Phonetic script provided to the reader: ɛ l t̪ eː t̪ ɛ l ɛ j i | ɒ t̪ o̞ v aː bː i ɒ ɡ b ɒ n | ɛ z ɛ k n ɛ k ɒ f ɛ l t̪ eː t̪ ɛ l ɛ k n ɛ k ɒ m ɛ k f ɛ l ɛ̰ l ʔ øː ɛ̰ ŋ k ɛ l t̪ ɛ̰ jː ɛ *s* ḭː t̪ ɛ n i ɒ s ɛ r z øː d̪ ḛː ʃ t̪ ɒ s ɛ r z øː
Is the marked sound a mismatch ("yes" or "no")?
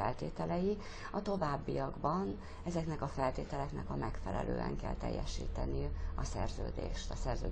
yes